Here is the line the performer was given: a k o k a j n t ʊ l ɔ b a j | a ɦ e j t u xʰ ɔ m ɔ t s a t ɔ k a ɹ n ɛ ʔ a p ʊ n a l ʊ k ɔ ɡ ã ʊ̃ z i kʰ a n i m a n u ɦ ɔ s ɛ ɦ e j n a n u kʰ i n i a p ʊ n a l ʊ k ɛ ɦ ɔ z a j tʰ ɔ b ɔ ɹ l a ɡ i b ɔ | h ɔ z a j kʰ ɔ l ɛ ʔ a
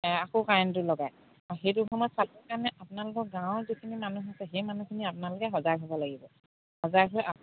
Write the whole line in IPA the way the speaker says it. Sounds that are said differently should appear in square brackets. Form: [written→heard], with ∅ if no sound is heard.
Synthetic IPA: a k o k a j n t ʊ l ɔ [b→ɡ] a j | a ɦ e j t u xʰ ɔ m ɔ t s a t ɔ k a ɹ n ɛ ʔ a p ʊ n a l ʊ k ɔ ɡ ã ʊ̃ z i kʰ [a→i] n i m a n u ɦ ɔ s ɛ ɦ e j [n→m] a n u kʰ i n i a p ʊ n a l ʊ k ɛ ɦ ɔ z a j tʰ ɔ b ɔ [ɹ→∅] l a ɡ i b ɔ | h ɔ z a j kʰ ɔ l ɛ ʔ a